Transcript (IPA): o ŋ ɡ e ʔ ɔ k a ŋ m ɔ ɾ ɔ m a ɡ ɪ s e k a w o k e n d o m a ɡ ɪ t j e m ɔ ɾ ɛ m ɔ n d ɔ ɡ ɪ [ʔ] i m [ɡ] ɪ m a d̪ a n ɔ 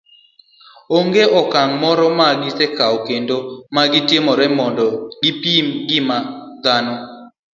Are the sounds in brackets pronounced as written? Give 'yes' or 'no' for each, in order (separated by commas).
no, yes